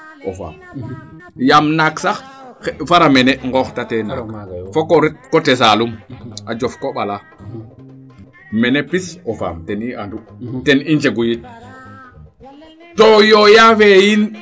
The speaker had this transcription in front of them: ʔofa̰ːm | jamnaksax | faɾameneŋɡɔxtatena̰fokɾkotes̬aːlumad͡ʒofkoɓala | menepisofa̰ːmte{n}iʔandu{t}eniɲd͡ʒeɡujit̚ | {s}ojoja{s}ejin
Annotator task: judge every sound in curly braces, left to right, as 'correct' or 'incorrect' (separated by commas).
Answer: correct, correct, incorrect, incorrect